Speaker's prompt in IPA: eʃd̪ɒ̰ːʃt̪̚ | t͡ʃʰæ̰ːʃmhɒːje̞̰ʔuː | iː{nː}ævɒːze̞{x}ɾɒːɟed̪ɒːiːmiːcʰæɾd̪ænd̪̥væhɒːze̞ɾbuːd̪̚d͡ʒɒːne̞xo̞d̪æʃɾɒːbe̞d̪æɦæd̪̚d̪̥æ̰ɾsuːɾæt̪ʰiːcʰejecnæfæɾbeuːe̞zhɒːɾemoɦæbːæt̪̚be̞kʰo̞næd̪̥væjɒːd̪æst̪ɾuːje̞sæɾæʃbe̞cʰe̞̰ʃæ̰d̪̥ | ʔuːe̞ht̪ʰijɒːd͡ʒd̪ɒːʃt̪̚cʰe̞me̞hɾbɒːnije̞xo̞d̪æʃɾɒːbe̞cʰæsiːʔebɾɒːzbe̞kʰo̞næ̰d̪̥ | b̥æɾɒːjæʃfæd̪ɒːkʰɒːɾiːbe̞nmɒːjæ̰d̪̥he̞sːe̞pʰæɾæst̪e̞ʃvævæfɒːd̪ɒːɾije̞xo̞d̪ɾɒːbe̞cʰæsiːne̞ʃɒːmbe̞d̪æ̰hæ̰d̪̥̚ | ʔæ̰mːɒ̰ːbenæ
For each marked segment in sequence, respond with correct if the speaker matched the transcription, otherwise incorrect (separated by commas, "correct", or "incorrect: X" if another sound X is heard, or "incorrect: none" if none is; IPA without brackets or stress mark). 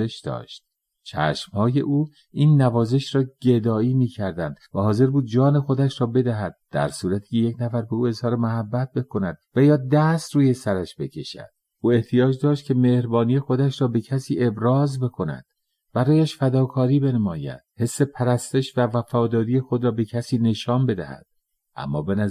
correct, incorrect: ʃ